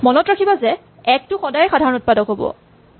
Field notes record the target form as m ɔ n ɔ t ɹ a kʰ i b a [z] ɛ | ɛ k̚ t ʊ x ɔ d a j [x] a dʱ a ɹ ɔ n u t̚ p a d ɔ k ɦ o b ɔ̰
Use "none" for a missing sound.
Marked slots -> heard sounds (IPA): z, x

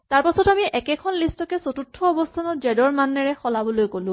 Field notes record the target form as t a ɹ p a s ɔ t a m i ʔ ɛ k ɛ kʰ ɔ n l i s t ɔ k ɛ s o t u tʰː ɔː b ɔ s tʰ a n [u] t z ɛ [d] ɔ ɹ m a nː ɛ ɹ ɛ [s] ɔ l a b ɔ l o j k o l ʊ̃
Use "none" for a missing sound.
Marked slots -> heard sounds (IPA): ɔ, d, x

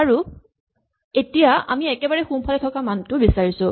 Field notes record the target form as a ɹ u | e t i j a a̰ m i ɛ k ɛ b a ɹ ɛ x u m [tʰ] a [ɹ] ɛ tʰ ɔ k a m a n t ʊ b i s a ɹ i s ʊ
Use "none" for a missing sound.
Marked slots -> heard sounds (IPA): pʰ, l

